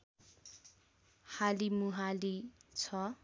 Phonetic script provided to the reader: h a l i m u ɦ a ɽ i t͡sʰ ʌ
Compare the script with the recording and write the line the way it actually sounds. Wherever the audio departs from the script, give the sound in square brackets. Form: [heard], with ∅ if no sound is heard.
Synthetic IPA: h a l i m u ɦ a [l] i t͡sʰ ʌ